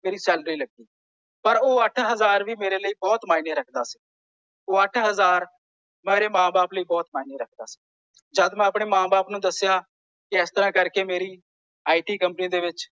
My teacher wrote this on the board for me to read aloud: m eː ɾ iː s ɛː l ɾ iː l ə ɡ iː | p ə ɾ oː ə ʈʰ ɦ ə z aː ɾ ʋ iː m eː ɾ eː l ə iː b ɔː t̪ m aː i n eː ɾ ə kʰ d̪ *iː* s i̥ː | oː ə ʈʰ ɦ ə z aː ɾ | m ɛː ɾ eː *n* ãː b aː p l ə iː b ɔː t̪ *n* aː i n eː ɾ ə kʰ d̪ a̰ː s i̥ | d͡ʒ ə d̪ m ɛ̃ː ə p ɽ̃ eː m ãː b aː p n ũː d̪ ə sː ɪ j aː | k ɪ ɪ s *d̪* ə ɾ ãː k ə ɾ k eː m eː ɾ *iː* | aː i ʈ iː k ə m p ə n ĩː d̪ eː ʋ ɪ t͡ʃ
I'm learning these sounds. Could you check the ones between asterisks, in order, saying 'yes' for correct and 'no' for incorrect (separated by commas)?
no, no, no, no, yes